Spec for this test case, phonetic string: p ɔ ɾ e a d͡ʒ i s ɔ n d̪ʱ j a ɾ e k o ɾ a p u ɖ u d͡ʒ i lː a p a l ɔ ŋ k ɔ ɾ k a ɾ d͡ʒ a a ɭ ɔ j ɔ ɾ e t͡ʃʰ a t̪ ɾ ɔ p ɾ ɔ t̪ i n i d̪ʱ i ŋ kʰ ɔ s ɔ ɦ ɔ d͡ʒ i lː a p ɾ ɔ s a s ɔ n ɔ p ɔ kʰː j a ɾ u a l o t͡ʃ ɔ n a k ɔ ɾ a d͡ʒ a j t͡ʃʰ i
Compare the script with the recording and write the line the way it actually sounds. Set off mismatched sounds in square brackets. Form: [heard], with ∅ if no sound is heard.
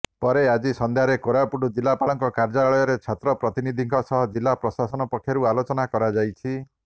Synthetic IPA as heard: p ɔ ɾ e a d͡ʒ i s ɔ n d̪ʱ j a ɾ e k o ɾ a p u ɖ u d͡ʒ i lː a p a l ɔ ŋ k ɔ [∅] k a ɾ d͡ʒ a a ɭ ɔ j ɔ ɾ e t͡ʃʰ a t̪ ɾ ɔ p ɾ ɔ t̪ i n i d̪ʱ i ŋ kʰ ɔ s ɔ ɦ ɔ d͡ʒ i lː a p ɾ ɔ s a s ɔ n ɔ p ɔ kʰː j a ɾ u a l o t͡ʃ ɔ n a k ɔ ɾ a d͡ʒ a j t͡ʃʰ i